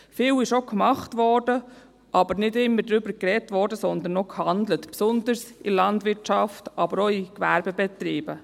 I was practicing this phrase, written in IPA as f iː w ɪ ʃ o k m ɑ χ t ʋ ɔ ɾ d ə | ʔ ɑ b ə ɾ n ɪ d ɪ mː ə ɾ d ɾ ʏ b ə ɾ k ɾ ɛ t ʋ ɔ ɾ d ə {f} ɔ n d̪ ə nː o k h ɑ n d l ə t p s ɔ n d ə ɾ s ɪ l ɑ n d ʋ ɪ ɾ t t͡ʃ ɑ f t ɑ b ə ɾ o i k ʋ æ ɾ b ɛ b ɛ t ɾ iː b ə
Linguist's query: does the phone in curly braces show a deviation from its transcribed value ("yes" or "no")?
yes